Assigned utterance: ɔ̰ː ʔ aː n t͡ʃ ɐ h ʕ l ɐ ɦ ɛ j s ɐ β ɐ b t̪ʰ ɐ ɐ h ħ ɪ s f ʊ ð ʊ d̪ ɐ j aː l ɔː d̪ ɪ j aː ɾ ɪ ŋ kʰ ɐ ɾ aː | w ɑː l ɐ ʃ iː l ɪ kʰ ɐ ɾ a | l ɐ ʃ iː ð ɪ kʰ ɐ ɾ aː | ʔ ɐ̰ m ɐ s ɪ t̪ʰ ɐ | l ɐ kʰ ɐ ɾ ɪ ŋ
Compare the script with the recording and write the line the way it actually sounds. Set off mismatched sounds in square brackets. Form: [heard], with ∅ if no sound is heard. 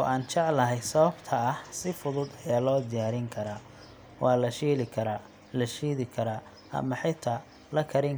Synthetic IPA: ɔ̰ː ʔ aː n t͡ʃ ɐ [∅] ʕ l ɐ ɦ ɛ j s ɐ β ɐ b t̪ʰ ɐ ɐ h [s] ɪ [∅] f ʊ ð ʊ d̪ ɐ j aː l ɔː d̪ ɪ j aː ɾ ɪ ŋ kʰ ɐ ɾ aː | w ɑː l ɐ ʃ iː l ɪ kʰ ɐ ɾ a | l ɐ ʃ iː ð ɪ kʰ ɐ ɾ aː | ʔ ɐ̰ m ɐ [ħ] ɪ t̪ʰ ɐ | l ɐ kʰ ɐ ɾ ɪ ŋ